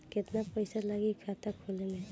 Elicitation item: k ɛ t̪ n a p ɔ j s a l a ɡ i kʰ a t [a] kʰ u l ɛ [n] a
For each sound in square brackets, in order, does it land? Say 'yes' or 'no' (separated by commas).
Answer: yes, yes